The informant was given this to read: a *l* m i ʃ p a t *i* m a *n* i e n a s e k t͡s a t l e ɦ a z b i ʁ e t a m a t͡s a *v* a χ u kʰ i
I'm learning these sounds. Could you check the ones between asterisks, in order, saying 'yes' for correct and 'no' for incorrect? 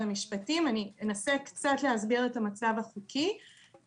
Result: no, yes, yes, yes

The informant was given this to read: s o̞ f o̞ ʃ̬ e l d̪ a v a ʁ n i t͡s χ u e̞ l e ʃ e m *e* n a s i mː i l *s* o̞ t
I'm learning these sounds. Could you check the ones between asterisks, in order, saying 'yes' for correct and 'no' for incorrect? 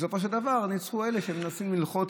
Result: yes, no

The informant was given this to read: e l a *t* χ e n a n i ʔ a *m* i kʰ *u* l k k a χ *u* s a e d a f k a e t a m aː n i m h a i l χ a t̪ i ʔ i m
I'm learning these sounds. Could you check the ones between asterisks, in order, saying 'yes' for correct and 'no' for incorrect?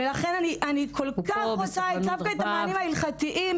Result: no, no, no, no

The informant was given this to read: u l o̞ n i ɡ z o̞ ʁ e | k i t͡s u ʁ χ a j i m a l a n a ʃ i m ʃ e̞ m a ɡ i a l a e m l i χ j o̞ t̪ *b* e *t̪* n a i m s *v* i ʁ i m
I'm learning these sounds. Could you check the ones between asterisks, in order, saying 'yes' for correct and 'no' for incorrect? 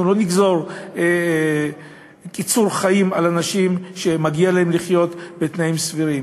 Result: yes, yes, yes

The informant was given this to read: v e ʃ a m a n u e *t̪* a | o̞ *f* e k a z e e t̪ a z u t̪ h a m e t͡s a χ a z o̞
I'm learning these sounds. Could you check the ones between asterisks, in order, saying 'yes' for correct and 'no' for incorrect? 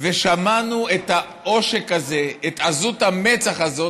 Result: yes, no

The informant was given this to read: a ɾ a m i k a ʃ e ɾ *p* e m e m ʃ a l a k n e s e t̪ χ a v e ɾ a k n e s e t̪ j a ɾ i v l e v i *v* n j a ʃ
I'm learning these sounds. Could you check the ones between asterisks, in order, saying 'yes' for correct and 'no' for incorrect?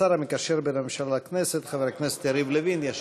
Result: no, no

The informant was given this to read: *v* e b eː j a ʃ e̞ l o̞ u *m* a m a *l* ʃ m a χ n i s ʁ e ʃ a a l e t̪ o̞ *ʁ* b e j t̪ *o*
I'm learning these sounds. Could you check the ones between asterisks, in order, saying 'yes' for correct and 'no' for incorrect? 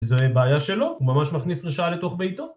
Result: no, yes, no, no, yes

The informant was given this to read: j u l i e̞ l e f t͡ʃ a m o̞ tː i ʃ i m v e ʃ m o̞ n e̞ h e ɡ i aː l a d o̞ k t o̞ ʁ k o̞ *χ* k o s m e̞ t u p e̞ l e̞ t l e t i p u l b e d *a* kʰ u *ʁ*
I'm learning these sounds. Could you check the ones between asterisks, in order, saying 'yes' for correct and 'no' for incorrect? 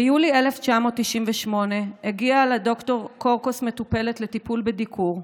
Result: no, no, yes

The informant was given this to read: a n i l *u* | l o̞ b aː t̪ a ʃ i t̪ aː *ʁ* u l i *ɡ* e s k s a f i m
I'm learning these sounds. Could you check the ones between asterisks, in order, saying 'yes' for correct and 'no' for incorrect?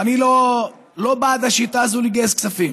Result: no, no, yes

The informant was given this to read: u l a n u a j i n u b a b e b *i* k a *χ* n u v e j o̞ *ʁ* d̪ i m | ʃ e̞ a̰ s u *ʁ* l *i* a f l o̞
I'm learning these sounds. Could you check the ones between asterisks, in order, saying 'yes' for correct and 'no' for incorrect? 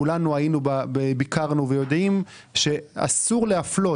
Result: yes, no, no, yes, no

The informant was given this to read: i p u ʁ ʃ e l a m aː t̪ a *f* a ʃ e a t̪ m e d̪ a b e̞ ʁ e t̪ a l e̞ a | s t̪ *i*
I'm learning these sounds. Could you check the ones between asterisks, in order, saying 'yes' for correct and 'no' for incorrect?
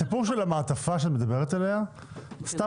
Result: yes, no

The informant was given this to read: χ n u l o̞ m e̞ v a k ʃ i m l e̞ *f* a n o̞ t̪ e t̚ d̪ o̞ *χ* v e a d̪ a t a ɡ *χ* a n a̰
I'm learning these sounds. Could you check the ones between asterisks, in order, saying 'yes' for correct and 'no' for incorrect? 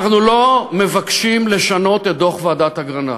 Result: no, yes, no

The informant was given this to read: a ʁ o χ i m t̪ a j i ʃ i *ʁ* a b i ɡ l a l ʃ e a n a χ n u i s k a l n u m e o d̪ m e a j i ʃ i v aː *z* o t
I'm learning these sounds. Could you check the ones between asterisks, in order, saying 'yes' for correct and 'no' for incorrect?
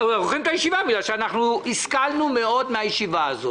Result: no, yes

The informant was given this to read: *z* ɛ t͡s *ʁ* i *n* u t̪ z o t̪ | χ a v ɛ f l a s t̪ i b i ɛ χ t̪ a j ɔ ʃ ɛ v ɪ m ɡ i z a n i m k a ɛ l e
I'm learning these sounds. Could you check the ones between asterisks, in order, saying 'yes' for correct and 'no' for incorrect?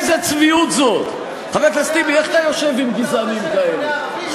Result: yes, no, no

